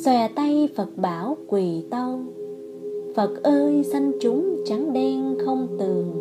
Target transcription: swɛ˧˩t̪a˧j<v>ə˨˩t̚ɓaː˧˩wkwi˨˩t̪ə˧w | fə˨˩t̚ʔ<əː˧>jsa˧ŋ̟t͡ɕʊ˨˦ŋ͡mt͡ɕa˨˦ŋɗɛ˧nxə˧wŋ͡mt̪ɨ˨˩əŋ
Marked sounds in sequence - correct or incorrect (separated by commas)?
incorrect, correct